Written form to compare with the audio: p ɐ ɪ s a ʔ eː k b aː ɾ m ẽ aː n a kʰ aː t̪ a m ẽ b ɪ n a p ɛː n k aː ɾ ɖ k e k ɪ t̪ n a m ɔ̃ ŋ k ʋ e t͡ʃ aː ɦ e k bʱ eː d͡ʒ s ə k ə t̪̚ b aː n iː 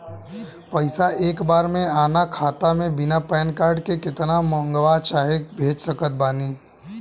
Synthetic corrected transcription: p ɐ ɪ s a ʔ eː k b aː ɾ m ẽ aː n a kʰ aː t̪ a m ẽ b ɪ n a p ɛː n k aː ɾ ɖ k e k ɪ t̪ n a m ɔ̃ ŋ ɡ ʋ a t͡ʃ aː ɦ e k bʱ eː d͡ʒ s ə k ə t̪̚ b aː n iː